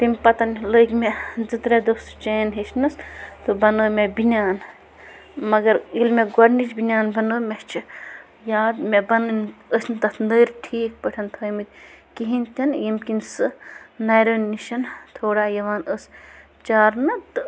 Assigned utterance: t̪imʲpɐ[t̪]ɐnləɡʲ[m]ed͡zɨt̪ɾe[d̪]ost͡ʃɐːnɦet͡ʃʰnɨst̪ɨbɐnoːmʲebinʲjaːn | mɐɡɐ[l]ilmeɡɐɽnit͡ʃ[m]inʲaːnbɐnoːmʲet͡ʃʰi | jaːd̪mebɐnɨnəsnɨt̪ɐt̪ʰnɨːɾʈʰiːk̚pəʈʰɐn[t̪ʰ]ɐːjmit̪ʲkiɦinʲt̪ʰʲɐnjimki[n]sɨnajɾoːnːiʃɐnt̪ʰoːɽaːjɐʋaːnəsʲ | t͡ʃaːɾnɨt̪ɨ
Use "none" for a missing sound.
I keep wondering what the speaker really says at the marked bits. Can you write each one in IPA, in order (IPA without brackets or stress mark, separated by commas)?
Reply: t̪, m, d̪, ɾ, b, t̪ʰ, n